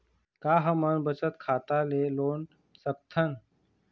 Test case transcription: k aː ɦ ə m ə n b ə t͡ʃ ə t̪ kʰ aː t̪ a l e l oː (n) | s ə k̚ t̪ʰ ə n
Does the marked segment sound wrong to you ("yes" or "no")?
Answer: no